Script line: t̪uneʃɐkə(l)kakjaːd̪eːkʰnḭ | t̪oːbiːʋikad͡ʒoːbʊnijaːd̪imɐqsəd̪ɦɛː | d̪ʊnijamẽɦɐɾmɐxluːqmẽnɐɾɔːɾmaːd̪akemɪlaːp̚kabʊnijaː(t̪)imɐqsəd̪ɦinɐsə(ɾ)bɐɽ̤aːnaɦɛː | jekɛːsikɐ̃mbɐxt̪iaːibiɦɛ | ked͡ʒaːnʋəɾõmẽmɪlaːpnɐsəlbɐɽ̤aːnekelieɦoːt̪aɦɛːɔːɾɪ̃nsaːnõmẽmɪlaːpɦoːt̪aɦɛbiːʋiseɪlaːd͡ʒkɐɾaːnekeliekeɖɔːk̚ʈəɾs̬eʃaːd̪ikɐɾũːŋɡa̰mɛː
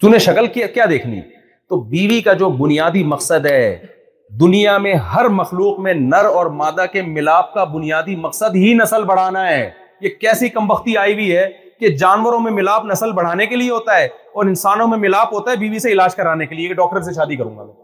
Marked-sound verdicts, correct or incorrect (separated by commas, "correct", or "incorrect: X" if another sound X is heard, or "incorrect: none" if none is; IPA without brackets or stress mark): correct, incorrect: d̪, incorrect: l